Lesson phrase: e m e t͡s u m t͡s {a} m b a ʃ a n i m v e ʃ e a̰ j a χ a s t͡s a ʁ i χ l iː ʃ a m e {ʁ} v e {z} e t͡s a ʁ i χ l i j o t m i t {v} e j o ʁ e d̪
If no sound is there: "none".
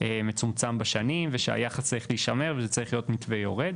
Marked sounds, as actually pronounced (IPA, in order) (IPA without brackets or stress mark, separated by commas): a, ʁ, z, v